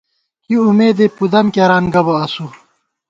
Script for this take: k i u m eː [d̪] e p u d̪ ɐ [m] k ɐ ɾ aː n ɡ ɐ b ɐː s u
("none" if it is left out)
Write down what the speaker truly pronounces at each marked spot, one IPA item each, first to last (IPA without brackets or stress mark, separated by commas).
d̪, m